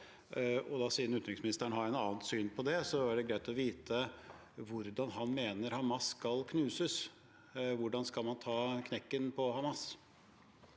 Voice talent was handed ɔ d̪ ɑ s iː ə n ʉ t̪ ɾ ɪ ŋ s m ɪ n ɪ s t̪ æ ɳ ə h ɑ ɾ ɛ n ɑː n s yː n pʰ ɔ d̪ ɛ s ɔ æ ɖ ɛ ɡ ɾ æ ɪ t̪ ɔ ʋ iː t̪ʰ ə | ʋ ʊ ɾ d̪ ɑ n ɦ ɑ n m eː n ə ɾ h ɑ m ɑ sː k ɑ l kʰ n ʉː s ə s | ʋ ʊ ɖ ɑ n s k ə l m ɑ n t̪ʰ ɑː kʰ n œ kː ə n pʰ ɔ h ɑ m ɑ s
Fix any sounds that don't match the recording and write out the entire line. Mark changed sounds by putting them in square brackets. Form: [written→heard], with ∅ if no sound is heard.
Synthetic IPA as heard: ɔ d̪ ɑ s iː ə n ʉ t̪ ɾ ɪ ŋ s m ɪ n ɪ s t̪ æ ɳ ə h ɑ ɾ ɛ n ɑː n s yː n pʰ ɔ d̪ ɛ s ɔ æ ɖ ɛ ɡ ɾ æ ɪ t̪ ɔ ʋ iː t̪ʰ ə | ʋ ʊ ɾ d̪ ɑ n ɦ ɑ n m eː n ə ɾ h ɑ m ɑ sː k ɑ l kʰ n ʉː s ə s | ʋ ʊ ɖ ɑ n s k [ə→ɑ] l m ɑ n t̪ʰ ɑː kʰ n [œ→ɛ] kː ə n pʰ ɔ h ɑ m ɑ s